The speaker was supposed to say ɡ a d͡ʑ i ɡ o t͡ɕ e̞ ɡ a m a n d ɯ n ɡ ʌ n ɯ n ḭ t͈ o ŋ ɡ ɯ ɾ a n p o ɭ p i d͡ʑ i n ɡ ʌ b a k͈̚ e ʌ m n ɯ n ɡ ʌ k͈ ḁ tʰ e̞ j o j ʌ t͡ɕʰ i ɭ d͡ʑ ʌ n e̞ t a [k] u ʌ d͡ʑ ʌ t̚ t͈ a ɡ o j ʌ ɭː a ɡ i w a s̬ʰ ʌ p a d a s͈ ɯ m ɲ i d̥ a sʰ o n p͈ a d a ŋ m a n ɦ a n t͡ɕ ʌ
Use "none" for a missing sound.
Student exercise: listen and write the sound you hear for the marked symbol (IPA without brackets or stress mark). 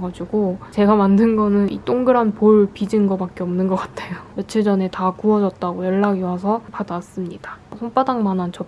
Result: k